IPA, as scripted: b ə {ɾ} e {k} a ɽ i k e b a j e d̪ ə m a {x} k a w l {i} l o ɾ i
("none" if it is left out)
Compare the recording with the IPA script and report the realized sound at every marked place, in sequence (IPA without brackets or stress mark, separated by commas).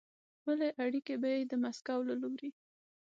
l, ʔ, s, a